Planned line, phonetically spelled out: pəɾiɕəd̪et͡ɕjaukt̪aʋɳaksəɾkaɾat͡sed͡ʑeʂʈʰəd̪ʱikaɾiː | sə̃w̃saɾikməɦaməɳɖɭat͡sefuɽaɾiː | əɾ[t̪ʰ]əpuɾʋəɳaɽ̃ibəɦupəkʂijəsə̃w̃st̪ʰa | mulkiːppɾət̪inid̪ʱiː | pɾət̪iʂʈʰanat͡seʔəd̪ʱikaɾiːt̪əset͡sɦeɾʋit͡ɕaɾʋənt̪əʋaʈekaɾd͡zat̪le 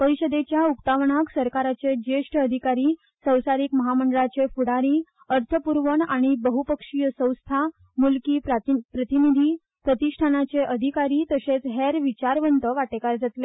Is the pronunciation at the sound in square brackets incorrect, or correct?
correct